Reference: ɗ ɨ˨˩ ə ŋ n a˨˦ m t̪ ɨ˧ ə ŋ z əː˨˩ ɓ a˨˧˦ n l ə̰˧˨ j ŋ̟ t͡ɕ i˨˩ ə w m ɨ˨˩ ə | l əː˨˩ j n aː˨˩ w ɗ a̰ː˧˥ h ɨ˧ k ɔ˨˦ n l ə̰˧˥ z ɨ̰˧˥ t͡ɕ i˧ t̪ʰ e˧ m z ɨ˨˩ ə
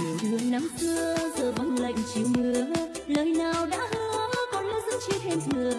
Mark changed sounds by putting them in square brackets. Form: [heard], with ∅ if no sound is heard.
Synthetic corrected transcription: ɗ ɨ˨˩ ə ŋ n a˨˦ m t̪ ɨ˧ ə [∅] z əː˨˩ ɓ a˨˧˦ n l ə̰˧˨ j ŋ̟ t͡ɕ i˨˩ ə w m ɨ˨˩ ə | l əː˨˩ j n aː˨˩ w ɗ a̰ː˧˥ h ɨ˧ k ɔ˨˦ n l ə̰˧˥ z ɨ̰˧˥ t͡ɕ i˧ t̪ʰ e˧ m z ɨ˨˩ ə